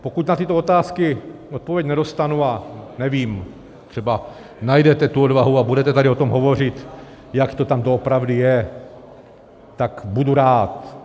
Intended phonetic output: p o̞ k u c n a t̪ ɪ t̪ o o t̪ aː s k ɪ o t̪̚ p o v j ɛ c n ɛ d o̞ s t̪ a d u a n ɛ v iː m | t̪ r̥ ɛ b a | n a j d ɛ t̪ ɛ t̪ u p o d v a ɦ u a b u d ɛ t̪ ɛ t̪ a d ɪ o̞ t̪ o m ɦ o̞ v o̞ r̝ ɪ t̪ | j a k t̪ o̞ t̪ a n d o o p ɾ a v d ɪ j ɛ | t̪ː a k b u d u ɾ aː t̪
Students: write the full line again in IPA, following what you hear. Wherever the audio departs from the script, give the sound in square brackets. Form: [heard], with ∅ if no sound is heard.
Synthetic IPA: p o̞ k u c n a t̪ ɪ t̪ o o t̪ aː s k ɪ o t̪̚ p o v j ɛ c n ɛ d o̞ s t̪ a [n] u a n ɛ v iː m | t̪ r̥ ɛ b a | n a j d ɛ t̪ ɛ t̪ u [∅] o d v a ɦ u a b u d ɛ t̪ ɛ t̪ a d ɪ o̞ t̪ o m ɦ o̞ v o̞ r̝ ɪ t̪ | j a k t̪ o̞ t̪ a [m] d o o p ɾ a v d ɪ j ɛ | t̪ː a k b u d u ɾ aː t̪